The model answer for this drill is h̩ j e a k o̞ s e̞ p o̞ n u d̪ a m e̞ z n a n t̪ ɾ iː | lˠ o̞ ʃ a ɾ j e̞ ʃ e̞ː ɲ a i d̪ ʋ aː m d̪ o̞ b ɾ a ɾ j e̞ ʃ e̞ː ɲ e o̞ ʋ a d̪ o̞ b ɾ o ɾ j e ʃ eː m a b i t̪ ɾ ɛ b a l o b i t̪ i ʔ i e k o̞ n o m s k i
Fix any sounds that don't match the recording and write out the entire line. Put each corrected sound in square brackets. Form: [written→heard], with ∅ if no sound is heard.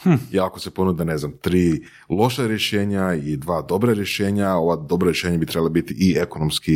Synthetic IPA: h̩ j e a k o̞ s e̞ p o̞ n u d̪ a [m→n] e̞ z n a [n→m] t̪ ɾ iː | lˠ o̞ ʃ a ɾ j e̞ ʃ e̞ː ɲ a i d̪ ʋ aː [m→∅] d̪ o̞ b ɾ a ɾ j e̞ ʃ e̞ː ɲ [e→a] o̞ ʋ a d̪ o̞ b ɾ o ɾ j e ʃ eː [m→ɲ] a b i t̪ ɾ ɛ b a l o b i t̪ i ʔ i e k o̞ n o m s k i